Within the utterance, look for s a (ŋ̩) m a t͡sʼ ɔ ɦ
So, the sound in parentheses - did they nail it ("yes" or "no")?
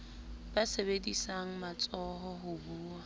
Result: yes